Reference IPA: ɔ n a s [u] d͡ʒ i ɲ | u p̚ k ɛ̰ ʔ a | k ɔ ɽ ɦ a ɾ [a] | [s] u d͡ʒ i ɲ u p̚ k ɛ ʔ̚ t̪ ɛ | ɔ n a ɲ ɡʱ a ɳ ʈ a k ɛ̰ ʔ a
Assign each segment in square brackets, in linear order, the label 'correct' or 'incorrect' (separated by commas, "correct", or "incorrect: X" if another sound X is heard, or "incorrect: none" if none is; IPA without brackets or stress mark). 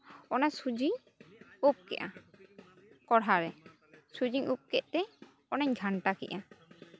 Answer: correct, incorrect: ɛ, correct